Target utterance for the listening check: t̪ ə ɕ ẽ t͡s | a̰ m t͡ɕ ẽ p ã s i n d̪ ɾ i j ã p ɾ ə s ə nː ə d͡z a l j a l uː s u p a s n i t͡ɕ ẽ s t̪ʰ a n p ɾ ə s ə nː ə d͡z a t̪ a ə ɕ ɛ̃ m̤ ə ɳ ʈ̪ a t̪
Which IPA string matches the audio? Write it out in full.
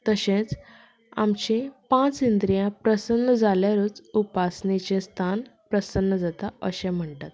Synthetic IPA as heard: t̪ ə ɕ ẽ t͡s | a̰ m t͡ɕ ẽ p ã t͡s i n d̪ ɾ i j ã p ɾ ə s ə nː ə d͡z a l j a ɾ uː t͡s u p a s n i t͡ɕ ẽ s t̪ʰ a n p ɾ ə s ə nː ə d͡z a t̪ a ə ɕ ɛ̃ m̤ ə ɳ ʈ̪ a t̪